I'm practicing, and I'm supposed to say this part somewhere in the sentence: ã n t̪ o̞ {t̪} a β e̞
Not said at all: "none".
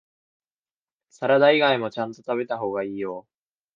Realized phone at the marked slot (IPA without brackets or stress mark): t̪